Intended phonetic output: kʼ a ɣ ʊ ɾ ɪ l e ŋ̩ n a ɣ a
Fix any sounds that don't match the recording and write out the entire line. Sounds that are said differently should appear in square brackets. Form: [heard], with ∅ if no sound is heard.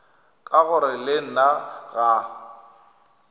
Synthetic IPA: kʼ a ɣ ʊ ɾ ɪ l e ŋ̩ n a ɣ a